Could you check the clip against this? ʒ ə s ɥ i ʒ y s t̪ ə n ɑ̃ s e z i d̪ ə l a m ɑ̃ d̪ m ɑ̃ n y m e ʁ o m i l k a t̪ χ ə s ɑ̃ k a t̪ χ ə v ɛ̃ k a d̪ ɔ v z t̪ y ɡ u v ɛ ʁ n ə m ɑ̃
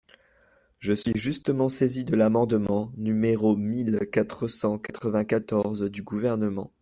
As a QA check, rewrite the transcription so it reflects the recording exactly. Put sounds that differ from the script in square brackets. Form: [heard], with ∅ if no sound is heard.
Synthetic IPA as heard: ʒ ə s ɥ i ʒ y s t̪ ə [m] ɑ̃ s e z i d̪ ə l a m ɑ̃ d̪ m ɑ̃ n y m e ʁ o m i l k a t̪ χ ə s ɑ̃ k a t̪ χ ə v ɛ̃ k a [t̪] ɔ [ʁ] z [d̪] y ɡ u v ɛ ʁ n ə m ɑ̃